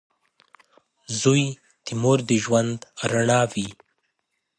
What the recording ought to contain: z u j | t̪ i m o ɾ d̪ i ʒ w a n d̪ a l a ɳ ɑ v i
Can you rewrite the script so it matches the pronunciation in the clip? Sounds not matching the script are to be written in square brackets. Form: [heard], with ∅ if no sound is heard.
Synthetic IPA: z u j | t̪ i m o ɾ d̪ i ʒ w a n d̪ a [ɾ] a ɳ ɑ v i